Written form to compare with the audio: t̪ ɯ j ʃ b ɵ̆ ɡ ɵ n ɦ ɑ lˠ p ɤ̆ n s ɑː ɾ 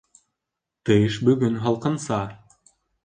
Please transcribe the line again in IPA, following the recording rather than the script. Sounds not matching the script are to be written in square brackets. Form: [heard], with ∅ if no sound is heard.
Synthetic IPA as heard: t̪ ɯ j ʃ b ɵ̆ ɡ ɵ n ɦ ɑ lˠ [q] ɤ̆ n s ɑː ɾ